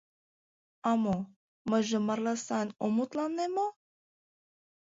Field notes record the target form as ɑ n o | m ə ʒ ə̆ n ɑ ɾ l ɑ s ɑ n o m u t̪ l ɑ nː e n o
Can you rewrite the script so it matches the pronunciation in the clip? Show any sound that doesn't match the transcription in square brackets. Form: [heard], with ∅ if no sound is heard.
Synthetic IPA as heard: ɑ [m] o | m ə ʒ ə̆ [m] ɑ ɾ l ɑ s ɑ n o m u t̪ l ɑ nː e [m] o